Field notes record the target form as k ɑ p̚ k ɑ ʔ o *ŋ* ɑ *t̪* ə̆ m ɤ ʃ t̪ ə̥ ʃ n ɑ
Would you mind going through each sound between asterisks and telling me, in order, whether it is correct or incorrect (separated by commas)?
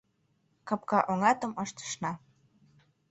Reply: correct, correct